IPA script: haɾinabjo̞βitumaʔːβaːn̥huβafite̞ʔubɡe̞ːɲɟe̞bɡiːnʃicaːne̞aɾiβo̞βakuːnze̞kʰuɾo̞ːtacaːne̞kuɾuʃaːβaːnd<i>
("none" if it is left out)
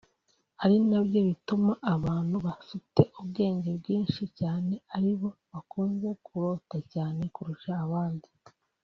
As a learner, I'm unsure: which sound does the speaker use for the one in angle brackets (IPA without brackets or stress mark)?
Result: i